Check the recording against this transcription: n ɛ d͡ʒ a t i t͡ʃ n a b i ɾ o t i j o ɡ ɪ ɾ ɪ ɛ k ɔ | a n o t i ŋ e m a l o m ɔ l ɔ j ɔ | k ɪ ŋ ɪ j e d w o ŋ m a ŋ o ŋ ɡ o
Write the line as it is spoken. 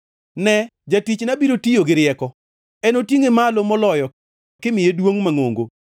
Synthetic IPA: n ɛ d͡ʒ a t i t͡ʃ n a b i ɾ o t i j o ɡ ɪ ɾ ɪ ɛ k ɔ | ɛ n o t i ŋ e m a l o m ɔ l ɔ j ɔ | k ɪ m ɪ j e d w o ŋ m a ŋ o ŋ ɡ o